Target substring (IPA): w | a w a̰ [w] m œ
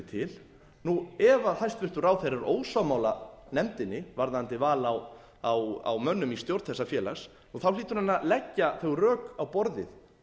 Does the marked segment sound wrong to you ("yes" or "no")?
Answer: no